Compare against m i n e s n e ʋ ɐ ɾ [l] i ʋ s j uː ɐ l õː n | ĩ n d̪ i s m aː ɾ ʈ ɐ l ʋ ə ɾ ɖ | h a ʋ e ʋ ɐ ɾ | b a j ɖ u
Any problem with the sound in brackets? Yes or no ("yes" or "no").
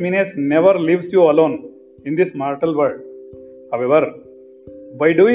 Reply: no